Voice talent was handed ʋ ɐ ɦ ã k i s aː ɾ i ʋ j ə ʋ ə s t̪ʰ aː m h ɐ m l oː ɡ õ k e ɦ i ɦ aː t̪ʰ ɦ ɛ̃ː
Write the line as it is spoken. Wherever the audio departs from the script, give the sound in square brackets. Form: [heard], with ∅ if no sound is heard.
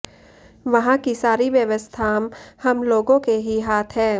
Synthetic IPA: ʋ ɐ ɦ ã k i s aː ɾ i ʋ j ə ʋ ə s t̪ʰ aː m h ɐ m l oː ɡ õ k e ɦ i ɦ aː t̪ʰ ɦ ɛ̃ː